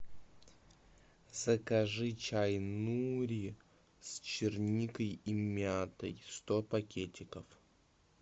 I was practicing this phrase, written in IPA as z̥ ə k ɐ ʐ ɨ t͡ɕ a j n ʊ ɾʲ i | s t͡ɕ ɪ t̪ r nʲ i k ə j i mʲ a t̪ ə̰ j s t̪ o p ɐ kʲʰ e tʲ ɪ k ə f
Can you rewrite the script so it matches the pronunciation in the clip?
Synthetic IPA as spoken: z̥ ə k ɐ ʐ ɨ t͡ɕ a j n u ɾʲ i | s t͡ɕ ɪ r nʲ i k ə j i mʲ a t̪ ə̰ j s t̪ o p ɐ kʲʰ e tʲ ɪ k ə f